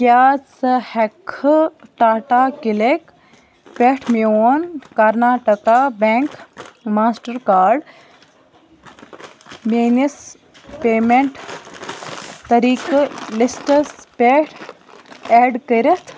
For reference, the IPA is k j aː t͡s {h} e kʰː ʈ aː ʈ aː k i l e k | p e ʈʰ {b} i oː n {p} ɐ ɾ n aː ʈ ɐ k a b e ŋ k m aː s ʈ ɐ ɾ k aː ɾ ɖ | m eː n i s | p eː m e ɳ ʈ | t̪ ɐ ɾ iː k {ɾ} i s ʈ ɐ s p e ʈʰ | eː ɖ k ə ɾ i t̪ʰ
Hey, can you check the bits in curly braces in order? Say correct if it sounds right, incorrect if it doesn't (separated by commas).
correct, incorrect, incorrect, incorrect